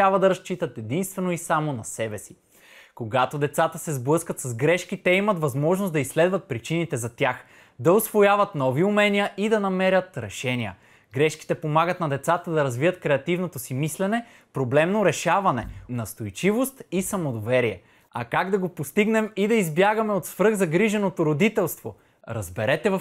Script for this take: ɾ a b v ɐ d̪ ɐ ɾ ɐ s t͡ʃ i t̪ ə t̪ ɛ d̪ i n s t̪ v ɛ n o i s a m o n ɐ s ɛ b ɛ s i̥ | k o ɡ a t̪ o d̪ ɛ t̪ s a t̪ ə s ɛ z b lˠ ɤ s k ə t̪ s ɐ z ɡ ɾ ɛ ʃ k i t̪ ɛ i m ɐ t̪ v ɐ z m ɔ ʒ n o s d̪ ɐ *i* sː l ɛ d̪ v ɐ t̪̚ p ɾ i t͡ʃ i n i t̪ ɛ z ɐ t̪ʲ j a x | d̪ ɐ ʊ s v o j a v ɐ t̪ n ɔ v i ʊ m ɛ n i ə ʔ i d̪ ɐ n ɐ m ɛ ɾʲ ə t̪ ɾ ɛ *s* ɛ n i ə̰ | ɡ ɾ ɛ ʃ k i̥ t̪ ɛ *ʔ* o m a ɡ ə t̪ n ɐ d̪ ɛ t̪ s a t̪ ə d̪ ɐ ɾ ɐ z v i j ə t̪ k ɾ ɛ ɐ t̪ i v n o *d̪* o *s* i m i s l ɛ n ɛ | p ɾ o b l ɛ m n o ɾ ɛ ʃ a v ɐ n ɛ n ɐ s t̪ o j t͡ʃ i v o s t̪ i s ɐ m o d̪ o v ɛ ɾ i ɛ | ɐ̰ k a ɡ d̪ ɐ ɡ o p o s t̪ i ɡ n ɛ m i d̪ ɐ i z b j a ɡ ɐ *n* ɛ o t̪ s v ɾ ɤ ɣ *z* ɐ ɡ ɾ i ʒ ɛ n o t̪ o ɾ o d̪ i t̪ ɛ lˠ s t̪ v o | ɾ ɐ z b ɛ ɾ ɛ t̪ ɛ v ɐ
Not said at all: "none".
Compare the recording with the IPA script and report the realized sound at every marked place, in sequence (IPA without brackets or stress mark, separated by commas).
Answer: i, ʃ, p, t̪, s, m, z